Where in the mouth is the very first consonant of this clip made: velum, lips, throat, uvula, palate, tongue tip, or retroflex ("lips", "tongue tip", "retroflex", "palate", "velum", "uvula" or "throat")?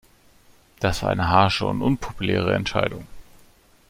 tongue tip